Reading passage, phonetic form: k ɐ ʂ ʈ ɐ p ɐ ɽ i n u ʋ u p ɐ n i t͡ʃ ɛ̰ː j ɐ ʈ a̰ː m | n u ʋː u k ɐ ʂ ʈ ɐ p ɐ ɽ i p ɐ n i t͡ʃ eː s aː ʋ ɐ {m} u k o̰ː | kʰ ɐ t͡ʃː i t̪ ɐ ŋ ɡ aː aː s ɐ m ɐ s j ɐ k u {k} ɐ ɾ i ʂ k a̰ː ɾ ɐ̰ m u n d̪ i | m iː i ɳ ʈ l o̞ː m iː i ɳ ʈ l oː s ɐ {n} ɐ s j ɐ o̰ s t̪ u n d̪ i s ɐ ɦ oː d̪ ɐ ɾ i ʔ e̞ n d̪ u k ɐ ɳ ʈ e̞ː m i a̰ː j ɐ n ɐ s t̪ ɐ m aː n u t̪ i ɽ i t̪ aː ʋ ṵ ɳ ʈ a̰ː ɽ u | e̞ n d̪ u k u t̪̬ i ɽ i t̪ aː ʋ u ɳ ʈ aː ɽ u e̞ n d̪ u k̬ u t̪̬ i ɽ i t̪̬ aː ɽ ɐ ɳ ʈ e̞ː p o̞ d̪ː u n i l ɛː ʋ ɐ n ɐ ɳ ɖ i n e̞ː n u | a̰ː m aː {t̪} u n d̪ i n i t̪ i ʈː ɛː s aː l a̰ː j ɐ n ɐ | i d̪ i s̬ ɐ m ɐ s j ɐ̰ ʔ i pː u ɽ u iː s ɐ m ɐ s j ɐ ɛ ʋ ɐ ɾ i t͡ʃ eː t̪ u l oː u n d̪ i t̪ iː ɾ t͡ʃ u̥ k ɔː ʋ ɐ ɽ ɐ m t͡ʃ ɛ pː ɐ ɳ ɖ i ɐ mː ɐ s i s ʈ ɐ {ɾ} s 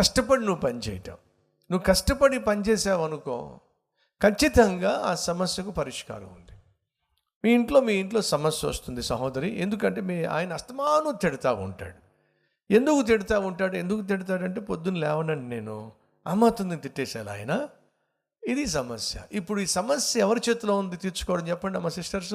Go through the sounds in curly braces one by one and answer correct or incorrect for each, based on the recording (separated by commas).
incorrect, incorrect, incorrect, correct, correct